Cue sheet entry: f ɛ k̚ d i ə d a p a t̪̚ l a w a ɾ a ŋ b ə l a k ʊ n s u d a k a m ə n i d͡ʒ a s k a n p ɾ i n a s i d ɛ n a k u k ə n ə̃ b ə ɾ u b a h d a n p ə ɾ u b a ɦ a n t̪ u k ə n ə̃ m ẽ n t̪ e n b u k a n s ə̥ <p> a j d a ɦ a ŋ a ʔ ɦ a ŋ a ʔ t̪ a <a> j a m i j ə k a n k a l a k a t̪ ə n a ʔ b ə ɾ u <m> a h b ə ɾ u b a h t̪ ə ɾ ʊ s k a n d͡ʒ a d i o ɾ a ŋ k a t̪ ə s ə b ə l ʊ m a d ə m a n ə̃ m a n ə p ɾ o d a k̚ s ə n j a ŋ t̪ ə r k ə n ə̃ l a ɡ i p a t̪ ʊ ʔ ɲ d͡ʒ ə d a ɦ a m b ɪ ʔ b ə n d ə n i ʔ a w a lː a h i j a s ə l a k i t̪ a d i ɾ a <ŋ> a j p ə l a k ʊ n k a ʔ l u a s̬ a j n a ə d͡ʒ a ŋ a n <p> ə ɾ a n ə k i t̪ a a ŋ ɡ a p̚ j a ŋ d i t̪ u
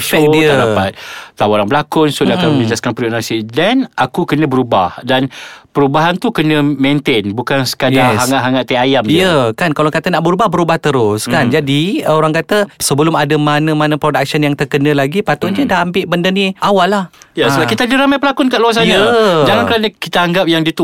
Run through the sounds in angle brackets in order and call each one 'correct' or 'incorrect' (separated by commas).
incorrect, correct, incorrect, incorrect, incorrect